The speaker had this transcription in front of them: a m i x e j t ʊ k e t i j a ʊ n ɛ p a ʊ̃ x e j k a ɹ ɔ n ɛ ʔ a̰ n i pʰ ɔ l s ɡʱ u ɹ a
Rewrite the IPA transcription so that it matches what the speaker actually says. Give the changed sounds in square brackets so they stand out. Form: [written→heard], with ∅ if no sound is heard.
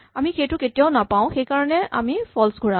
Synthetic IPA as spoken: a m i x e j t ʊ k e t i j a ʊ n [ɛ→a] p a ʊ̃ x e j k a ɹ ɔ n ɛ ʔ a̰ [n→m] i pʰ ɔ l s ɡʱ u ɹ a